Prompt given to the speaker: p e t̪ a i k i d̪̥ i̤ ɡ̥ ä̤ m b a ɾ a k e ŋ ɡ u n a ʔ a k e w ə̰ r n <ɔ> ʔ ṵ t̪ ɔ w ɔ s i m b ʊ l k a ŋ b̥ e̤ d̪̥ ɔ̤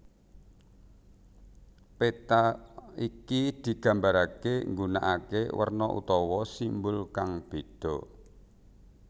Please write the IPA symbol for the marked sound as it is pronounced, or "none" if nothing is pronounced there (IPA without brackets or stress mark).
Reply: ɔ